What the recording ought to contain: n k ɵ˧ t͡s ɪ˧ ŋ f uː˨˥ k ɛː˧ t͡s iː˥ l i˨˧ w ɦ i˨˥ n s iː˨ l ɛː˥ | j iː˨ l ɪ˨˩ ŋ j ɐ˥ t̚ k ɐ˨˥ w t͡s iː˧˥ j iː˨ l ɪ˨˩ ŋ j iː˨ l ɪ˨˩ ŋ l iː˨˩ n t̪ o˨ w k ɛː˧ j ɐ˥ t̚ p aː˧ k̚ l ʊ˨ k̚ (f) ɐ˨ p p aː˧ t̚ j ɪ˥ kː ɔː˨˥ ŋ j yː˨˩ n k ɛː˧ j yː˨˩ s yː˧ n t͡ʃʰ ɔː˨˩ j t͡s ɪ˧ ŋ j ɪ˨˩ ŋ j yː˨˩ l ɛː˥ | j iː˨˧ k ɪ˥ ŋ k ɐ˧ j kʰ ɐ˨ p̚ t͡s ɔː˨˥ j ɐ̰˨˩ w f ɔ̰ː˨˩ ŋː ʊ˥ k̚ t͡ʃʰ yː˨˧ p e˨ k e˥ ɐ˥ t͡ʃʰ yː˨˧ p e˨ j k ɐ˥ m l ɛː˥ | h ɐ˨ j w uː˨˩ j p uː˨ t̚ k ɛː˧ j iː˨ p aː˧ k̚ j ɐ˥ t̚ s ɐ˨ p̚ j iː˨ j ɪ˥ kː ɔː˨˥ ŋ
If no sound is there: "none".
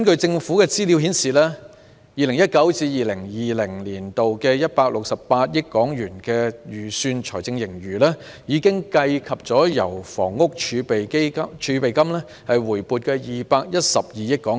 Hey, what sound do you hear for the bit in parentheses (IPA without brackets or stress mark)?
s